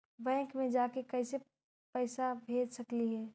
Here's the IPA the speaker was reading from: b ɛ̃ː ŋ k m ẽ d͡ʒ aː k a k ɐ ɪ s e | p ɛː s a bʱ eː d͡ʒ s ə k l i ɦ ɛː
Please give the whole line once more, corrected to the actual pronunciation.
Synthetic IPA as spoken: b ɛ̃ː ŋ k m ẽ d͡ʒ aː k e k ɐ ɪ s e | p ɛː s a bʱ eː d͡ʒ s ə k l i ɦ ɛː